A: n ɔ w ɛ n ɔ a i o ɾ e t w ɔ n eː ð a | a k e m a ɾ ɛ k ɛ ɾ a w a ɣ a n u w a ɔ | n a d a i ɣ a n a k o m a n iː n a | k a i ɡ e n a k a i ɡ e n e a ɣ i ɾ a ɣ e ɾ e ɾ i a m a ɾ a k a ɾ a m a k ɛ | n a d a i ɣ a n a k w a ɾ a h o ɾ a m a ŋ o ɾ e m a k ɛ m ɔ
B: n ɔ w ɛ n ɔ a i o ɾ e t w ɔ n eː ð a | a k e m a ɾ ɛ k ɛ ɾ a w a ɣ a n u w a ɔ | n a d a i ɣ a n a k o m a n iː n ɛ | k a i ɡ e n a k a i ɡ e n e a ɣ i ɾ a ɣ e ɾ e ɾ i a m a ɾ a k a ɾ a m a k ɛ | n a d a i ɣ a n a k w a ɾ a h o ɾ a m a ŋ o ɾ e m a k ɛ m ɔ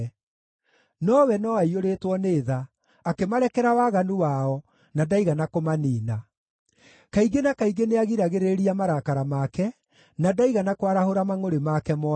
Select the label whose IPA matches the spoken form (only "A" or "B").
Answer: A